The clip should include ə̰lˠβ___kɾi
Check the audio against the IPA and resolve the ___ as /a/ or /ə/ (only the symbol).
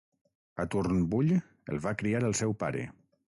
a